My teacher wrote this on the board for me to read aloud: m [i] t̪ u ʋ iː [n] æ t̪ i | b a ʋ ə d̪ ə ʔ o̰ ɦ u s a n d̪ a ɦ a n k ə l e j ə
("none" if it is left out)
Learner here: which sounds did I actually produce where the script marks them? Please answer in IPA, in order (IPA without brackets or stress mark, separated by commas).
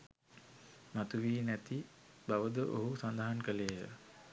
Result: a, n